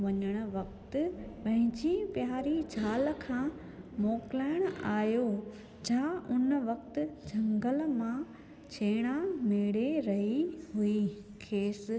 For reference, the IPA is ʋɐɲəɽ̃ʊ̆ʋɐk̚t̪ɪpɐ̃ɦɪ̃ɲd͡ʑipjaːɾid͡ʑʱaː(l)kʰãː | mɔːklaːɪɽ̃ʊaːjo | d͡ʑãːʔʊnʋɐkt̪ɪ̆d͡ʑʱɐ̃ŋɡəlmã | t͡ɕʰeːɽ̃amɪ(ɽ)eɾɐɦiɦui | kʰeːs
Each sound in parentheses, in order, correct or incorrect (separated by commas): correct, correct